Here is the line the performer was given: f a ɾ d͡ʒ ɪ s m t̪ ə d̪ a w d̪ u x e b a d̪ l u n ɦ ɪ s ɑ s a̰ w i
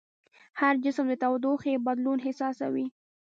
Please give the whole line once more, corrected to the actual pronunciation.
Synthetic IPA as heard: h a ɾ d͡ʒ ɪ s m d̪ ə t̪ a w d̪ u x e b a d̪ l u n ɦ ɪ s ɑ s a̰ w i